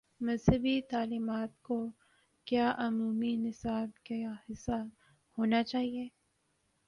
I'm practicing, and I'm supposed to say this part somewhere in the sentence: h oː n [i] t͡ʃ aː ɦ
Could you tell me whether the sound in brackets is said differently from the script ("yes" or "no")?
yes